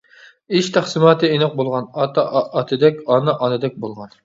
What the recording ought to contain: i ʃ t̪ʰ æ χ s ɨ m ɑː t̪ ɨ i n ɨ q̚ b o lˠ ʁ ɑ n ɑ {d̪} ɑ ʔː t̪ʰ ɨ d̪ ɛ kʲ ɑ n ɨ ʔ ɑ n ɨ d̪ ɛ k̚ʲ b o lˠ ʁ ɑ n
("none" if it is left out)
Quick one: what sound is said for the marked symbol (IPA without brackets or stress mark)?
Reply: t̪